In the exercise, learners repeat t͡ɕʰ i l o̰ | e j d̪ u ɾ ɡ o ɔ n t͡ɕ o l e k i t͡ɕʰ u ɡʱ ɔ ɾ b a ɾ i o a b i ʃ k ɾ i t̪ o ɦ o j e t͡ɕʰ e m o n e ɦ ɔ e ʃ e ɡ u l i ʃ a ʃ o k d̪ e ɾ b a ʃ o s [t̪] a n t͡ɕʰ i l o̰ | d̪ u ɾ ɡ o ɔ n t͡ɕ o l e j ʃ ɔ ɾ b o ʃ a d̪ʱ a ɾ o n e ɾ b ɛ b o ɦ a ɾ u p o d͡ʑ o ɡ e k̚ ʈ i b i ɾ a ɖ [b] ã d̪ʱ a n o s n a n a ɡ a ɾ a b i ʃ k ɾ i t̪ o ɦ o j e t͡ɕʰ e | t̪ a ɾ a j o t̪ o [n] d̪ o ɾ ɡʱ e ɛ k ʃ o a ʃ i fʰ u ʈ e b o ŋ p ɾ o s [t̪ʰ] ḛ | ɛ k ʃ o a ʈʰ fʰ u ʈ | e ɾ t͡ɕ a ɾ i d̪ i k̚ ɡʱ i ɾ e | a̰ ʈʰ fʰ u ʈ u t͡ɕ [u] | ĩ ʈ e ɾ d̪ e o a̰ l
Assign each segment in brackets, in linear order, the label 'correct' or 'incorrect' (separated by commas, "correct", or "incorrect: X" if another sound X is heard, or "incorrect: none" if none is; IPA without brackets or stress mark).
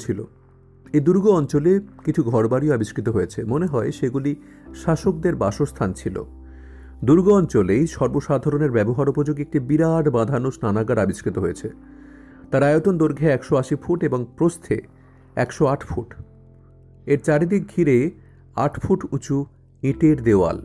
incorrect: t̪ʰ, correct, correct, correct, correct